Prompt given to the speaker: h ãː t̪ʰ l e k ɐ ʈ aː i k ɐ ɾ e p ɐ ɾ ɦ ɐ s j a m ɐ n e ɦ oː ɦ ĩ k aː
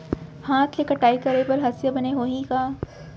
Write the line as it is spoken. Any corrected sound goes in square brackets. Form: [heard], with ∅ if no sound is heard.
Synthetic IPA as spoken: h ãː t̪ʰ l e k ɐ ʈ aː i k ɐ ɾ e p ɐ ɾ ɦ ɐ s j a [b] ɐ n e ɦ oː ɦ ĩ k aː